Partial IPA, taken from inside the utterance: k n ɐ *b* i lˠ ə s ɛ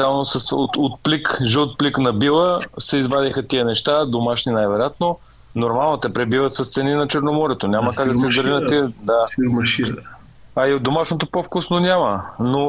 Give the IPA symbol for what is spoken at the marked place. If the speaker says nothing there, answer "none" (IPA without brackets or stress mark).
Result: b